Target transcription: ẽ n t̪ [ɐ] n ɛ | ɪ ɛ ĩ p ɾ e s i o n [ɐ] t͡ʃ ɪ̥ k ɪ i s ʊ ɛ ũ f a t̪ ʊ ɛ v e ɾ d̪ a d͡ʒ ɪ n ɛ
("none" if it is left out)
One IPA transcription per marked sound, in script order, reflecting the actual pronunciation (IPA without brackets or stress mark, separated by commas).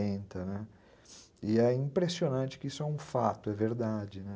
ɐ, ɐ̃